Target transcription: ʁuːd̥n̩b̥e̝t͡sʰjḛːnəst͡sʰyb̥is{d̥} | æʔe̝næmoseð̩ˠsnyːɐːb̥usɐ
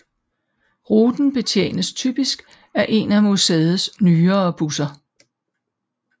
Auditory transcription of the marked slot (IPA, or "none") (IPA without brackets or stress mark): ɡ̥